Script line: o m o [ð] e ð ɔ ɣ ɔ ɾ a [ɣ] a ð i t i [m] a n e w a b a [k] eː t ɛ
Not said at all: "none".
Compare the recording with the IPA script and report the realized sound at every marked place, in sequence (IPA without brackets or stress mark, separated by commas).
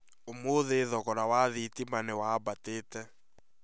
ð, w, m, t